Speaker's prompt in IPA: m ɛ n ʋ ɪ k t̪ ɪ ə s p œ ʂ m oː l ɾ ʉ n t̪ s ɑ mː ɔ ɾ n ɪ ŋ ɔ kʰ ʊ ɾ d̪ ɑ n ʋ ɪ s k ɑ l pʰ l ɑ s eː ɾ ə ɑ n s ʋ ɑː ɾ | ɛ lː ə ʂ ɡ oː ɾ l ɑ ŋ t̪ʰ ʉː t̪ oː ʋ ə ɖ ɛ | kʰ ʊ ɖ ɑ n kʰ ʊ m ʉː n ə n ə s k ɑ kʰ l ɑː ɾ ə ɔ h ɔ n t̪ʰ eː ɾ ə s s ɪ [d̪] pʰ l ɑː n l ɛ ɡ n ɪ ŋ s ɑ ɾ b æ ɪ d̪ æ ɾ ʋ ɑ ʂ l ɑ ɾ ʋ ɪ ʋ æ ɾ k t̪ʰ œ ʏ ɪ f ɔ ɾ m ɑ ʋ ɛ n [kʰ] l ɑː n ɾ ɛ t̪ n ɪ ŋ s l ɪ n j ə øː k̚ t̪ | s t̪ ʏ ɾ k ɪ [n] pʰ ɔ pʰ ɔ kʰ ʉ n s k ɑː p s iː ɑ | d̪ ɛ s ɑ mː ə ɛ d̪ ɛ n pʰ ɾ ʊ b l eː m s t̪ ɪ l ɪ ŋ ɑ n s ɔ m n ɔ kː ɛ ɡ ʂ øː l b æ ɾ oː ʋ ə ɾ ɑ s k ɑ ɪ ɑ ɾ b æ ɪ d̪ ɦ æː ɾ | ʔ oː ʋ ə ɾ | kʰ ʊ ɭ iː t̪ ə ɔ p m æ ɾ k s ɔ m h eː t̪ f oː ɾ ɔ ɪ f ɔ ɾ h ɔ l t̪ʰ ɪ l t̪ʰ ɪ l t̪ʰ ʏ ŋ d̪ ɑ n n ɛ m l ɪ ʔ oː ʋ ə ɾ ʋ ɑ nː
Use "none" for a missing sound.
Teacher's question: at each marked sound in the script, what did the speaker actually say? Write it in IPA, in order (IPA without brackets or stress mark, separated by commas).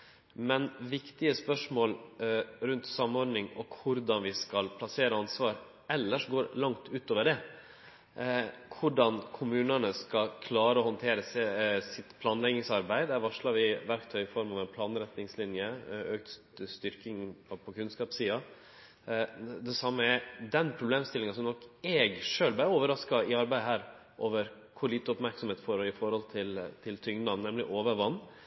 t̪, pʰ, ŋ